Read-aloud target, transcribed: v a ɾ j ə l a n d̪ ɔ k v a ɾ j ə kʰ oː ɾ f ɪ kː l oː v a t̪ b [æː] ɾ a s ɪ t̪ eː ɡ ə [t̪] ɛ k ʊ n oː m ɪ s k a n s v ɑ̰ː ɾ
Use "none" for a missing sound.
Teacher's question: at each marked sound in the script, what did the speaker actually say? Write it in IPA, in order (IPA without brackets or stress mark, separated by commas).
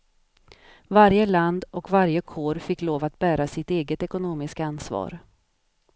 æː, t̪